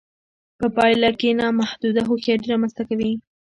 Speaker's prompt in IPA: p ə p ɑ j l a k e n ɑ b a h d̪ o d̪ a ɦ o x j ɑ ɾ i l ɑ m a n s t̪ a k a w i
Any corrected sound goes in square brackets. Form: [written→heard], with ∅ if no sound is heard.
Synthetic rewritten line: p ə p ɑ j l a k e n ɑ [b→m] a h d̪ [o→u] d̪ a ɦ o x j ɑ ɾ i [l→ɾ] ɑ m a n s t̪ a k a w i